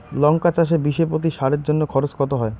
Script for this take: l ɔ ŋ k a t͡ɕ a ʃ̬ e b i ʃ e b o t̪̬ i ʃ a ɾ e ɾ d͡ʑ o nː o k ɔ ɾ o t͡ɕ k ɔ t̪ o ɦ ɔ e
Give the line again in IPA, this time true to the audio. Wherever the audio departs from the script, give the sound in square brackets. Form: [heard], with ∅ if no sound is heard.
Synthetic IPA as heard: l ɔ ŋ k a t͡ɕ a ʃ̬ e b i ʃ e [p] o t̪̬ i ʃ a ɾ e ɾ d͡ʑ o nː o [kʰ] ɔ ɾ o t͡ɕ k ɔ t̪ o ɦ ɔ e